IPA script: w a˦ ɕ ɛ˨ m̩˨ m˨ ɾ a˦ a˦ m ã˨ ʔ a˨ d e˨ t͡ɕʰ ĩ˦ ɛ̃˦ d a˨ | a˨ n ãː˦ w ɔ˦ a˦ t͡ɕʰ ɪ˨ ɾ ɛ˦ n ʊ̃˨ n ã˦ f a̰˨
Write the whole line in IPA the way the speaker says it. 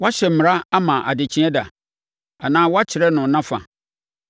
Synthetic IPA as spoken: w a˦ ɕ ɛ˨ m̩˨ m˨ ɾ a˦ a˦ m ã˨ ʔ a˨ d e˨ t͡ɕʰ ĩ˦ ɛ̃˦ d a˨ | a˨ n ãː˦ w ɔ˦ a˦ t͡ɕʰ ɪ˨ ɾ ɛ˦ n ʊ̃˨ n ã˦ f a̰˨